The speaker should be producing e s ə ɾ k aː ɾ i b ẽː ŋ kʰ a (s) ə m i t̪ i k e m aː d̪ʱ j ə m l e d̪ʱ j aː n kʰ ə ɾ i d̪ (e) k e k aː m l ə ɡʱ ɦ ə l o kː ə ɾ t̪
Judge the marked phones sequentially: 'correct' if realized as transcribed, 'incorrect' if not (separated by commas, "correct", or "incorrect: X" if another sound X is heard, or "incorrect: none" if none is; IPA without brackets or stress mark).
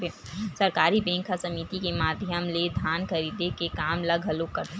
correct, correct